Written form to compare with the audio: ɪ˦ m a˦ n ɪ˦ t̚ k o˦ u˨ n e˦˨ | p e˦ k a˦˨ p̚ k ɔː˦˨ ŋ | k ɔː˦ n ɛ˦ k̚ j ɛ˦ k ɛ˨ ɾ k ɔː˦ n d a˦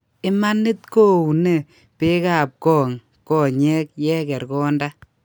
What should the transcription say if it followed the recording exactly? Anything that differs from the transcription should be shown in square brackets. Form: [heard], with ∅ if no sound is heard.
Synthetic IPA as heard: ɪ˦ m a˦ n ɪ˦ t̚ k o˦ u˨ n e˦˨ | p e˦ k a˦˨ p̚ k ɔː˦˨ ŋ | k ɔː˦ [ɲ] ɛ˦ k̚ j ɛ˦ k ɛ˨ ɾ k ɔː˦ n d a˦